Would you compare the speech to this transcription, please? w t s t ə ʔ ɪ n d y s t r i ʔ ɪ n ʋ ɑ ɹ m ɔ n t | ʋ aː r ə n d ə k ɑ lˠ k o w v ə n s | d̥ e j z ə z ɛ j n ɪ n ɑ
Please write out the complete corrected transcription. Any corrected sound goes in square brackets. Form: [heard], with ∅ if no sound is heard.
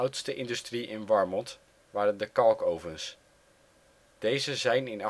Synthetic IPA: w t s t ə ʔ ɪ n d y s t r i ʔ ɪ n ʋ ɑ ɹ m ɔ n t | ʋ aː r ə n d ə k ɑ lˠ k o w v ə n s | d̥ e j z ə z ɛ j n ɪ n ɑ

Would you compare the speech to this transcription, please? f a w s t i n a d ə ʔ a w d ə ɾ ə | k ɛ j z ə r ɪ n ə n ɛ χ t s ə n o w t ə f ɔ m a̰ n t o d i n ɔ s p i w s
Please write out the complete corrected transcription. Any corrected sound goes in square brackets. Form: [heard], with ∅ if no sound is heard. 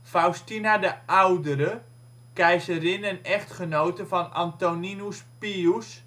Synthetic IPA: f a w s t i n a d ə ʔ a w d ə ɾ ə | k ɛ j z ə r ɪ n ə n ɛ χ t [χ] ə n o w t ə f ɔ [n] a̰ n t o [n] i n [u] s p i [u] s

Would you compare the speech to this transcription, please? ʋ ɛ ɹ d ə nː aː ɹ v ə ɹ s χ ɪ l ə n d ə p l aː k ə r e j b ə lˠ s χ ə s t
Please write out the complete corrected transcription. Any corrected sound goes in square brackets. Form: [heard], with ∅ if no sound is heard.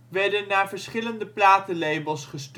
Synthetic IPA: ʋ ɛ ɹ d ə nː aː ɹ v ə ɹ s χ ɪ l ə n d ə p l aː [t] ə [l] e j b ə lˠ s χ ə s t

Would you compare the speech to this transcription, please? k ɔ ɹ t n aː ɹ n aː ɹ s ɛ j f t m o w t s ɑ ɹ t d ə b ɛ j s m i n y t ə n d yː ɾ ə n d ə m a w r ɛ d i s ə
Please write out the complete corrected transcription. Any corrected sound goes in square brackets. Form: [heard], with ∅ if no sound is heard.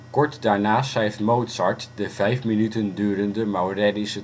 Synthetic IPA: k ɔ ɹ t [d] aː ɹ n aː [∅] s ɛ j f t m o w t s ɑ ɹ t d ə [v] ɛ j [f] m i n y t ə n d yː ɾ ə n d ə m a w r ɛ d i s ə

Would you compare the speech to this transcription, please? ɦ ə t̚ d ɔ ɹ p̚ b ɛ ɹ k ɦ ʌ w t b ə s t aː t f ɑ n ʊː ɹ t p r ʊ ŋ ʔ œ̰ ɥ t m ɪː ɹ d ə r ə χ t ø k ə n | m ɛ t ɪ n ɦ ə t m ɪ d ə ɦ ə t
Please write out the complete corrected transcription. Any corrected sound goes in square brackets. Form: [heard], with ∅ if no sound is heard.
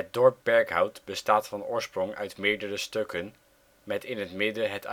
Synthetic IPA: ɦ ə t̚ d ɔ ɹ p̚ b ɛ ɹ k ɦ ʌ w t b ə s t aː t f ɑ n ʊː ɹ [s] p r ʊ ŋ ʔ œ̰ ɥ t m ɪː ɹ d ə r ə [s] t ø k ə n | m ɛ t ɪ n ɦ ə t m ɪ d ə ɦ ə t

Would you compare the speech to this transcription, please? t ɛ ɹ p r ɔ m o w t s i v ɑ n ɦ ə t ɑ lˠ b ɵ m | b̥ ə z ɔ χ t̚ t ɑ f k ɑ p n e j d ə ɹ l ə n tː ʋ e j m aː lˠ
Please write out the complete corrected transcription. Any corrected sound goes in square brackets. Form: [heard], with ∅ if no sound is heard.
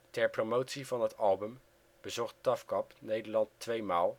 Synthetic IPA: t ɛ ɹ p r [o] m o w t s i v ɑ n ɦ ə t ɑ lˠ b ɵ m | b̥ ə z ɔ χ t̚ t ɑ f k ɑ p n e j d ə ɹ l [ɑ] n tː ʋ e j m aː lˠ

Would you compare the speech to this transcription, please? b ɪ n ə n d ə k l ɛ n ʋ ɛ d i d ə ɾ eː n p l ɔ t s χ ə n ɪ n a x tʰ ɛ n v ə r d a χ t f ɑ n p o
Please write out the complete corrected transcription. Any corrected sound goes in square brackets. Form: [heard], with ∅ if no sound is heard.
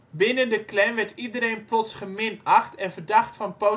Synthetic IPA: b ɪ n ə n d ə k l ɛ n ʋ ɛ [t] i d ə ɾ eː n p l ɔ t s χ ə [m] ɪ n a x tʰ ɛ n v ə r d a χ t f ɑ n p o

